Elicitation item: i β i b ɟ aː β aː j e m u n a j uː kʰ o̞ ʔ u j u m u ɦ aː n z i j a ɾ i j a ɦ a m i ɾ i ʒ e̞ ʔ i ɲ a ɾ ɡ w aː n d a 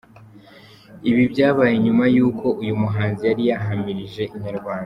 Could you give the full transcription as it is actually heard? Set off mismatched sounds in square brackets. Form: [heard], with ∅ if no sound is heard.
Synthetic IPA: i β i b ɟ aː β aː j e [ɲ] u [m] a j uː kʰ o̞ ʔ u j u m u ɦ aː n z i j a ɾ i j a ɦ a m i ɾ i ʒ e̞ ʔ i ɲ a ɾ ɡ w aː n d a